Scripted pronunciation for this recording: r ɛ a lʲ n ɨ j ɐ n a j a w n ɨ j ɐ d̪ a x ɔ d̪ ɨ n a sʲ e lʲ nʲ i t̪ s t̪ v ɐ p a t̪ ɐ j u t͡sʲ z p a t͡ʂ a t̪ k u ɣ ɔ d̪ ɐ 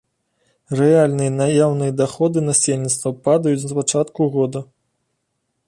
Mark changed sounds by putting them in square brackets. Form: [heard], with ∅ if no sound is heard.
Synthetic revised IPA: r ɛ a lʲ n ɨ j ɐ n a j a w n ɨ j ɐ d̪ a x ɔ d̪ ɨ n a sʲ e lʲ nʲ i t̪ s t̪ v ɐ p a [d̪] ɐ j u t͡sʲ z p a t͡ʂ a t̪ k u ɣ ɔ d̪ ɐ